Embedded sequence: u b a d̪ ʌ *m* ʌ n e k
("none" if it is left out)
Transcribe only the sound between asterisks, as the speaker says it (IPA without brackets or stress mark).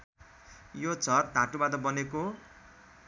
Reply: b